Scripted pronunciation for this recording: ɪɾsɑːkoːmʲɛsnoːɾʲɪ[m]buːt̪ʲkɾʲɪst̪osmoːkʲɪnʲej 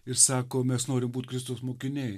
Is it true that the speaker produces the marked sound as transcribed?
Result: yes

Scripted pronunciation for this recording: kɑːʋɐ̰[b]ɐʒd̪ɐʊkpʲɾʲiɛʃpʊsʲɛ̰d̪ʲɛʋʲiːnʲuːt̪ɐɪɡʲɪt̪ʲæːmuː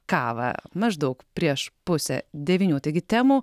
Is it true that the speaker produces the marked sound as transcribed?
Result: no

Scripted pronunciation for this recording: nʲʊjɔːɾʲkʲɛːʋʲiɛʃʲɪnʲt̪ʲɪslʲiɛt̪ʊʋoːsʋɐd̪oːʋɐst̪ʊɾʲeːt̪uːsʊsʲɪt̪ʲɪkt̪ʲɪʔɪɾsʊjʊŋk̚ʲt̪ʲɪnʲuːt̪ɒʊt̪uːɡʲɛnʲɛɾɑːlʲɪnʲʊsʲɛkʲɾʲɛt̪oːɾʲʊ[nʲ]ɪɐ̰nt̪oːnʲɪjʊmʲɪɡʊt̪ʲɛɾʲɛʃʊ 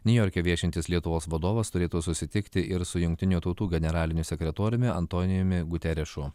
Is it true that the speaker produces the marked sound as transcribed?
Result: no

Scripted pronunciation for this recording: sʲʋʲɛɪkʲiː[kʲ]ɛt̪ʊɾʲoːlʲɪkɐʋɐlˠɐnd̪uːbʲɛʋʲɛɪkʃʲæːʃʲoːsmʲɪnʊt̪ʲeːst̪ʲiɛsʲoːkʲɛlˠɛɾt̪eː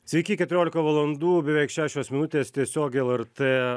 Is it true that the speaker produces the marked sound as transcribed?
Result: yes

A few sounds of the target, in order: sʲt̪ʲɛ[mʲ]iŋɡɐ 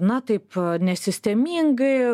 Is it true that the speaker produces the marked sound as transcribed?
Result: yes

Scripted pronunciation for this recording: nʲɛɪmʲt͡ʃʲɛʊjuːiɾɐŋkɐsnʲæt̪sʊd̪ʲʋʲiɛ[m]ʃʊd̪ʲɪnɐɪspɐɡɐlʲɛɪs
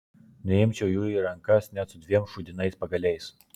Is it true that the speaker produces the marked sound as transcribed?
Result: yes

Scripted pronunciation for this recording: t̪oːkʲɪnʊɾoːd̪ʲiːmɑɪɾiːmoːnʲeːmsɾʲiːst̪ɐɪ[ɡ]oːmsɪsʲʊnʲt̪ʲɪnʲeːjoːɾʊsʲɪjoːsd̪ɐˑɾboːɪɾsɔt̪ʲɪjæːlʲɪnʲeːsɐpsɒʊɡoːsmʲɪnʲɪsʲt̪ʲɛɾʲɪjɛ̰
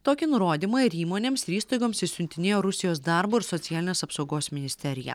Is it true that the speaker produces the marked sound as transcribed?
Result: yes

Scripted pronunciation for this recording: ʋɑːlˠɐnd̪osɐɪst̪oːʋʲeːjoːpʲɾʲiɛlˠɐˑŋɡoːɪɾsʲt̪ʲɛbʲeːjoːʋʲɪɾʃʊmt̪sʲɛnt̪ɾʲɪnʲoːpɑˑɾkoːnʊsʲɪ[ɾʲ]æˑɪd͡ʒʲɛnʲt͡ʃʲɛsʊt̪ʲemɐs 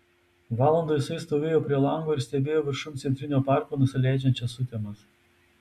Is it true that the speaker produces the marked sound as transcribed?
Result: no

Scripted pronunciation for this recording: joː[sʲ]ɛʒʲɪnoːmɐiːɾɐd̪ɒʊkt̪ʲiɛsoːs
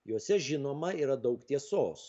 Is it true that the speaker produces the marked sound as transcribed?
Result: yes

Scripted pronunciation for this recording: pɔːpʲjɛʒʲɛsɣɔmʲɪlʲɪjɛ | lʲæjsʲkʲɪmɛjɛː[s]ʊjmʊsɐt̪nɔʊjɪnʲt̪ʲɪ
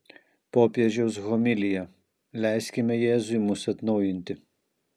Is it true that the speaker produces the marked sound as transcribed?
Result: no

